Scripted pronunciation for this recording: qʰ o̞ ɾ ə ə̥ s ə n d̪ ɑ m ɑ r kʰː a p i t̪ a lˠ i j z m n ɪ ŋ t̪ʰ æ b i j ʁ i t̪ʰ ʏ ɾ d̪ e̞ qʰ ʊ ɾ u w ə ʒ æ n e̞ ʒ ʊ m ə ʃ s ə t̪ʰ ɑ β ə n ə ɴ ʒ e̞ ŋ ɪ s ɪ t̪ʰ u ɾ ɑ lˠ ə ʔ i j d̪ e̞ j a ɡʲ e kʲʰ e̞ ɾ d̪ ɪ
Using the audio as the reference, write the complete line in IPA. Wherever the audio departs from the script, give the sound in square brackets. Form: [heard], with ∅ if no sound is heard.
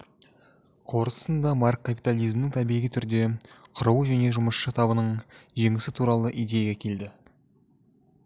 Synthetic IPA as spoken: qʰ o̞ ɾ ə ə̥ s ə n d̪ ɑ m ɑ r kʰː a p i t̪ a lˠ i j z m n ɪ ŋ t̪ʰ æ b i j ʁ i t̪ʰ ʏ ɾ d̪ e̞ qʰ ʊ ɾ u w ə ʒ æ n e̞ ʒ ʊ m ə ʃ [ʃ] ə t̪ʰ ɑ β ə n ə ɴ ʒ e̞ ŋ ɪ s ɪ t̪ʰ u ɾ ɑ lˠ ə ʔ i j d̪ e̞ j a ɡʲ e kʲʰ e̞ [l] d̪ ɪ